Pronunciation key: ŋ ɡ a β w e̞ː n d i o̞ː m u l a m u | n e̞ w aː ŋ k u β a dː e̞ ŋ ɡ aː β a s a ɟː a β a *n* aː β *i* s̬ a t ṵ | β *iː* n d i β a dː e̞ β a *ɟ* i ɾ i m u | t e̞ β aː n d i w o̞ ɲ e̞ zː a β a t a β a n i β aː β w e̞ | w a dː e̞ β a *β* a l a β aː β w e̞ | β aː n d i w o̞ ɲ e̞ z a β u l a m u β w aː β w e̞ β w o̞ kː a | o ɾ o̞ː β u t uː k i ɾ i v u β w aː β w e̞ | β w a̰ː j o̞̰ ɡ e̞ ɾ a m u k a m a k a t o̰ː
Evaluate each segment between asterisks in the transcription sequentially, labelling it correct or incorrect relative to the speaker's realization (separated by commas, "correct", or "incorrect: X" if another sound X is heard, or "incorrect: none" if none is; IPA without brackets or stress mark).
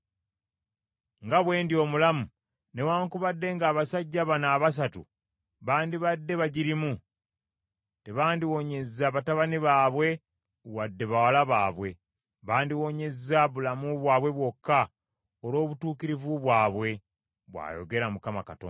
correct, incorrect: a, incorrect: aː, correct, incorrect: w